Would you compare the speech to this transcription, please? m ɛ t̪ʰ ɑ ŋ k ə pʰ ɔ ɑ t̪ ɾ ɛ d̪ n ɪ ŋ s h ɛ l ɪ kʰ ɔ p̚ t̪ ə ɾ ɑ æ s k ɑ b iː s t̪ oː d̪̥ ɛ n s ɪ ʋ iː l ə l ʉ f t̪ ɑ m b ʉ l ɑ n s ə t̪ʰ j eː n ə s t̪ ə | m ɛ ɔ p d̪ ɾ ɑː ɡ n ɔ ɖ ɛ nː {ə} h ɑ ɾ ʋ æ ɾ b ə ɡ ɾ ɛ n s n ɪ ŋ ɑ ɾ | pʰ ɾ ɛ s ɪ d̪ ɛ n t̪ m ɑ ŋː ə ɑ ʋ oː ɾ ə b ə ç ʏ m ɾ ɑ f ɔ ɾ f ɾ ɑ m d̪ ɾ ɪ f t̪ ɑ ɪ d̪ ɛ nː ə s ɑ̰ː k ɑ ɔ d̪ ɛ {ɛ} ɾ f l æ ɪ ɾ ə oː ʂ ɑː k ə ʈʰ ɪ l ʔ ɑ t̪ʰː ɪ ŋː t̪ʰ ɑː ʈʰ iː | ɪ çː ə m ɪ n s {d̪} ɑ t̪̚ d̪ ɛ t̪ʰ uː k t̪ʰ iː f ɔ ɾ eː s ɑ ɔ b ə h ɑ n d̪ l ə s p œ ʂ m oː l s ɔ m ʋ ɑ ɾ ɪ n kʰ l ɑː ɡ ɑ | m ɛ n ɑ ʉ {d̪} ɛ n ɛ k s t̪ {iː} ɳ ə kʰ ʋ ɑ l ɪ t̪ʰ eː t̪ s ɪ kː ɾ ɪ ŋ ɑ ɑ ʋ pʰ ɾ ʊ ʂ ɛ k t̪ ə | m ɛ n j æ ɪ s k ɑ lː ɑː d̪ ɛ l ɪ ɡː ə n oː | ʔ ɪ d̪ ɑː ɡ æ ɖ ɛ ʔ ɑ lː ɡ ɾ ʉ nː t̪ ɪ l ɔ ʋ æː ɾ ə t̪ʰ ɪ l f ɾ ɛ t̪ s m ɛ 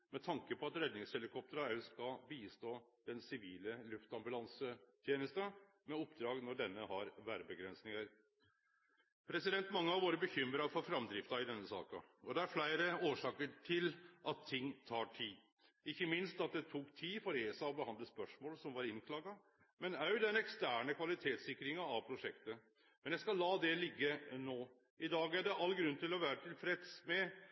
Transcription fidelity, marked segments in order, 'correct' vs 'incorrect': correct, incorrect: æ, incorrect: t̪, correct, incorrect: æː

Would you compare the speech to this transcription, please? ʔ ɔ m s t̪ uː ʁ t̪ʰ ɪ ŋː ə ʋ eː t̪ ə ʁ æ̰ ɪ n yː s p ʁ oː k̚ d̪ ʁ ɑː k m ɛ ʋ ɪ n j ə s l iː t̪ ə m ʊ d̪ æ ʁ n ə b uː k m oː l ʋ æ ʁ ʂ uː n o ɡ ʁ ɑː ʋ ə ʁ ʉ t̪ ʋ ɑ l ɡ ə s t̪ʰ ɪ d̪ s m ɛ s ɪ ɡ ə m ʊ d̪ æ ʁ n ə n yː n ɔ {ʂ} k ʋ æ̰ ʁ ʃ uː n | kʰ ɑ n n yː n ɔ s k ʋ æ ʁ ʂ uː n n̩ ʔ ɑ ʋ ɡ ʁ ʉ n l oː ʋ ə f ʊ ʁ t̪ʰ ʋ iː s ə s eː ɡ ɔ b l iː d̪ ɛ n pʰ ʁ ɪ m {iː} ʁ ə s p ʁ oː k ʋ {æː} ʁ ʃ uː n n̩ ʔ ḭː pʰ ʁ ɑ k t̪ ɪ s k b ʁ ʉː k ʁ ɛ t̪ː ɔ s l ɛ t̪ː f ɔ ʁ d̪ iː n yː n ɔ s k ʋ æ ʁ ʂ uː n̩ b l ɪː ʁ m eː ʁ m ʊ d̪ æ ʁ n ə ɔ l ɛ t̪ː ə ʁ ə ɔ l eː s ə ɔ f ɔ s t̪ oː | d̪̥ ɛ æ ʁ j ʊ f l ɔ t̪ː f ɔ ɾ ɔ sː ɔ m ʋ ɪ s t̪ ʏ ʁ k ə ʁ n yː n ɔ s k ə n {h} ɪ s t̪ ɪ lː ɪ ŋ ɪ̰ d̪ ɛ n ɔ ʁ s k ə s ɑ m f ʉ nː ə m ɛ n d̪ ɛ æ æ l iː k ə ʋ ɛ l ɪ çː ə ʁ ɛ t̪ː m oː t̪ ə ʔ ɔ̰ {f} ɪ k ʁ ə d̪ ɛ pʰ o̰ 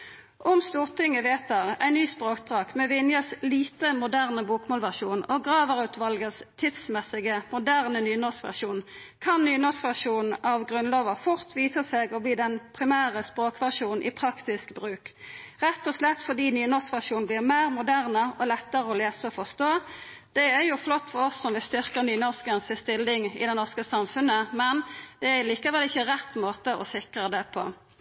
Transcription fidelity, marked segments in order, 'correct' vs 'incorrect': incorrect: s, incorrect: æː, incorrect: æ, incorrect: s, incorrect: s

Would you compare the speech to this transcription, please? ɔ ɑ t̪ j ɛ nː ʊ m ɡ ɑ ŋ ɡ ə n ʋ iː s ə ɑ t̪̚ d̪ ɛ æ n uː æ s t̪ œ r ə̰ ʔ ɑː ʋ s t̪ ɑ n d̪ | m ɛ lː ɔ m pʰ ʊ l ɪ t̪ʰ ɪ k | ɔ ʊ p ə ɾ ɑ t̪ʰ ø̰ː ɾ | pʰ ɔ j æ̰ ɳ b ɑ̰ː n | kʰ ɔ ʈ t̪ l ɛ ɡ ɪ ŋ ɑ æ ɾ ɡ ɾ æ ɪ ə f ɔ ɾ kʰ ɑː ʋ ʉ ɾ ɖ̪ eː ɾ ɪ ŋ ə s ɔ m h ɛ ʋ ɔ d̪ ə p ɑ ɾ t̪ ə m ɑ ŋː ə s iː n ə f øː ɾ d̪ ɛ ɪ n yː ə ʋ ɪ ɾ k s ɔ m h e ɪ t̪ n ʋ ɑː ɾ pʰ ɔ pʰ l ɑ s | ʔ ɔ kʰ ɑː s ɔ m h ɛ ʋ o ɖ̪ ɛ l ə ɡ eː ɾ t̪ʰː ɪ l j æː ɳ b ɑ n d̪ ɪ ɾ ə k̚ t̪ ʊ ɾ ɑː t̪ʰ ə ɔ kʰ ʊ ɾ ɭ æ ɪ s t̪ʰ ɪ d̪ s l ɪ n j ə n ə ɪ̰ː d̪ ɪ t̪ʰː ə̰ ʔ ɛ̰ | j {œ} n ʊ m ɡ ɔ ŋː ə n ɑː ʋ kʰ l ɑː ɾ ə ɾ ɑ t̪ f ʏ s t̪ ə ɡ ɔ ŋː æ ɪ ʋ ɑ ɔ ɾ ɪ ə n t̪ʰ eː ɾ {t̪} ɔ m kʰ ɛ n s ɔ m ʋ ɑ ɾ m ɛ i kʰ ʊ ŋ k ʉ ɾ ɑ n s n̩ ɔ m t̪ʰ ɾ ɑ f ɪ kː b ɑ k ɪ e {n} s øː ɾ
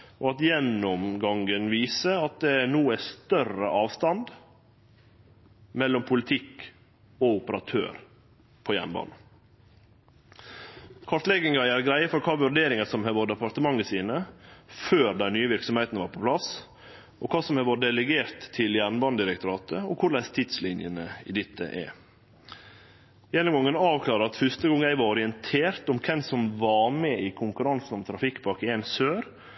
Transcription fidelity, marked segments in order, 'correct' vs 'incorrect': incorrect: ɛ, correct, correct

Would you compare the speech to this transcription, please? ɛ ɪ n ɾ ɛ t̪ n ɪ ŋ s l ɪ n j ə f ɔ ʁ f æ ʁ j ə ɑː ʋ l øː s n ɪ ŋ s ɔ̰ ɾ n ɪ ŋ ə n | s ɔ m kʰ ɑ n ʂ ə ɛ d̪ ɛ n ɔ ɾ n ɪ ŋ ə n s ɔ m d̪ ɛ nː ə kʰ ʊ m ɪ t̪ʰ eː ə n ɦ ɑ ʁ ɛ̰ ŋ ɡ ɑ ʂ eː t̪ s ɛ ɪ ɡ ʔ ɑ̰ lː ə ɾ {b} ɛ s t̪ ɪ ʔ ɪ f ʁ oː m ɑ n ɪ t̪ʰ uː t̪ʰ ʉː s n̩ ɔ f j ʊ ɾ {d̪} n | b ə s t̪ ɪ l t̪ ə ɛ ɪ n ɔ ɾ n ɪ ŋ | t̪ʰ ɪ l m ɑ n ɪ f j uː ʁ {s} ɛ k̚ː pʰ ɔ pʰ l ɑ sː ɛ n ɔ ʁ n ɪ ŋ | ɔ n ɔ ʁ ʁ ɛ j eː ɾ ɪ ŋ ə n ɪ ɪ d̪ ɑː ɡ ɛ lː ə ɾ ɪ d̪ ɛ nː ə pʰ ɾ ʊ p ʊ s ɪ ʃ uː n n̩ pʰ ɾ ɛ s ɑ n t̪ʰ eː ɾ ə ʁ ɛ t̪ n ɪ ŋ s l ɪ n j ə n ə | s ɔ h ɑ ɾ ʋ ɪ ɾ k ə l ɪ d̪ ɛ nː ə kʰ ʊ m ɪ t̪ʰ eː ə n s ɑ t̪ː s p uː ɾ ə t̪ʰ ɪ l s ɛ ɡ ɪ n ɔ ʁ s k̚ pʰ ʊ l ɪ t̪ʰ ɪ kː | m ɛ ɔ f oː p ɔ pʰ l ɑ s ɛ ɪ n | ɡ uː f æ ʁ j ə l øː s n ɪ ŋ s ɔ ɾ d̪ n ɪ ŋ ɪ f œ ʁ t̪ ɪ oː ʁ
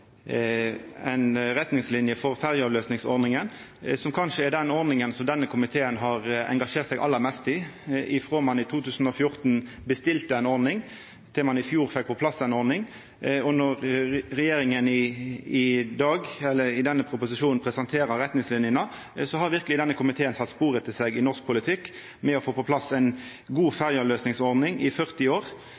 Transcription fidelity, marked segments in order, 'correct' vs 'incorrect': incorrect: m, incorrect: t̪, incorrect: f

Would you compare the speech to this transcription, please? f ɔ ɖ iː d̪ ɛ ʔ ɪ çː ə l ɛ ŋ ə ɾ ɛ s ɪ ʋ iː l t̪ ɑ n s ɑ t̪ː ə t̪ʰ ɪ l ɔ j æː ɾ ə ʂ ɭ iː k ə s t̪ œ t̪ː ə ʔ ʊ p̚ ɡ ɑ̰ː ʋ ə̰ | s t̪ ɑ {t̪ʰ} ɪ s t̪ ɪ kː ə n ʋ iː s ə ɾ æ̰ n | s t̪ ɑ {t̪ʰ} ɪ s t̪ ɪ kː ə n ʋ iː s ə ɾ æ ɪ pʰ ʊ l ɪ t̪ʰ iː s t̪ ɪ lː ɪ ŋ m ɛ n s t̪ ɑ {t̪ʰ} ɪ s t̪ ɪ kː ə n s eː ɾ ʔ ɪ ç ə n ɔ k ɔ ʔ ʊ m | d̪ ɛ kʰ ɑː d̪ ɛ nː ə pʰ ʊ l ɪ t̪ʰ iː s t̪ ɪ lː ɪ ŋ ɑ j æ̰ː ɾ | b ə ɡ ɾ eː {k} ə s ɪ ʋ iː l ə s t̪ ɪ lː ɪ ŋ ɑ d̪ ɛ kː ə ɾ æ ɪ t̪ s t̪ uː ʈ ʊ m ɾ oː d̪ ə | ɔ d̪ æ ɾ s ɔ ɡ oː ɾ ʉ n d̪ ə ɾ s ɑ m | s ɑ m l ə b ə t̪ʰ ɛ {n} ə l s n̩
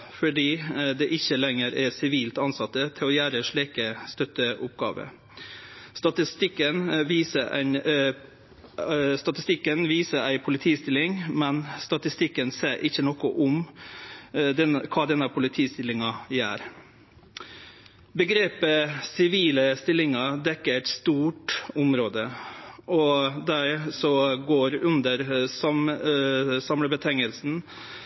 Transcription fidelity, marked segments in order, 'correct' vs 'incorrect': incorrect: t̪, incorrect: t̪, incorrect: t̪, incorrect: p, incorrect: ŋ

